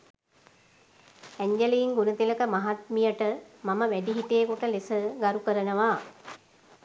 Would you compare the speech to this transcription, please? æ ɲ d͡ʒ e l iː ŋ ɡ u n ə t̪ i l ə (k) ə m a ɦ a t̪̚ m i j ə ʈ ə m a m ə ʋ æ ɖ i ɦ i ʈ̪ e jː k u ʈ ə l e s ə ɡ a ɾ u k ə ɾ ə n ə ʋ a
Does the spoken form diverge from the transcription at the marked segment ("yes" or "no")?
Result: no